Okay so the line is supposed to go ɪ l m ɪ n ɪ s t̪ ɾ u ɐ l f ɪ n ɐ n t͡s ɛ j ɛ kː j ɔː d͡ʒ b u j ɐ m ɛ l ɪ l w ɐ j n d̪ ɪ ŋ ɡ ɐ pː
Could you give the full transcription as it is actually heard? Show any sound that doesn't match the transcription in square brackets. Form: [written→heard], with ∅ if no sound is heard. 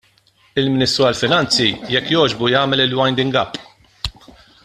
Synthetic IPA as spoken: ɪ l m ɪ n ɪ s t̪ ɾ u ɐ l f ɪ n ɐ n t͡s [ɛ→i] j ɛ kː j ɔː d͡ʒ b u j [ɐ→ɐː] m ɛ l ɪ l w ɐ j n d̪ ɪ ŋ ɡ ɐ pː